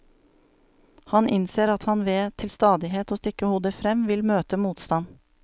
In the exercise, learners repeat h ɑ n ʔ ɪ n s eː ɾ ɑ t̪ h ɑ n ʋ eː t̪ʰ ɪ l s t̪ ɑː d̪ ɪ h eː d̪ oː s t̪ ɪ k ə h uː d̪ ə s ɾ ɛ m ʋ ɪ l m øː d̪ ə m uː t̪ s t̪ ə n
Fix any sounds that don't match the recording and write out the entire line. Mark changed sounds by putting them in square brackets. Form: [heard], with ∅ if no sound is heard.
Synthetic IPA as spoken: h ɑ n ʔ ɪ n s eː ɾ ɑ t̪ h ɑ n ʋ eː t̪ʰ ɪ l s t̪ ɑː d̪ ɪ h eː [t̪] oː s t̪ ɪ k ə h uː d̪ ə [f] ɾ ɛ m ʋ ɪ l m øː [t̪] ə m uː t̪ s t̪ [ɑ] n